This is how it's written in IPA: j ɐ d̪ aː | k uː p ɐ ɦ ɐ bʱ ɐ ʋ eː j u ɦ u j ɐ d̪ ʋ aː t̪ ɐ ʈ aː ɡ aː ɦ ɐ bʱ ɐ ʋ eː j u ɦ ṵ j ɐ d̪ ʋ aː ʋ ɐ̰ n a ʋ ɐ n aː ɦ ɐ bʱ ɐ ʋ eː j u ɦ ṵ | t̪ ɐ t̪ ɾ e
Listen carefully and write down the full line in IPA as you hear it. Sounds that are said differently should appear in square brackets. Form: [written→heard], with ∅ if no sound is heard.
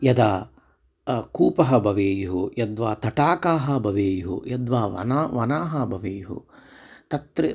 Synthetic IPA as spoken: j ɐ d̪ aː | k uː p ɐ ɦ ɐ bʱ ɐ ʋ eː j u ɦ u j ɐ d̪ ʋ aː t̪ ɐ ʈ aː [ɡ→k] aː ɦ ɐ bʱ ɐ ʋ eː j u ɦ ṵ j ɐ d̪ ʋ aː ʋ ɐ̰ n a ʋ ɐ n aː ɦ ɐ bʱ ɐ ʋ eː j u ɦ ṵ | t̪ ɐ t̪ ɾ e